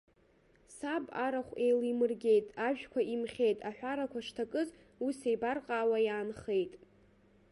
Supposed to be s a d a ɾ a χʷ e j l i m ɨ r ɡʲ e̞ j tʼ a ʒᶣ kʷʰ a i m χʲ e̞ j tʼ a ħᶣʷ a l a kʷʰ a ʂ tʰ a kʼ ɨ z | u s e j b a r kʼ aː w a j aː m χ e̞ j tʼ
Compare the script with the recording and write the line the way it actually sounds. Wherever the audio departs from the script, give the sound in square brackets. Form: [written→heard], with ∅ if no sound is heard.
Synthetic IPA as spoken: s a [d→b] a ɾ a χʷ e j l i m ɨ r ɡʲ e̞ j tʼ a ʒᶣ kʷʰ a i m χʲ e̞ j tʼ a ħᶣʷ a [l→ɾ] a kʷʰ a ʂ tʰ a kʼ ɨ z | u s e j b a r [kʼ→qʼ] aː w a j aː [m→n] χ e̞ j tʼ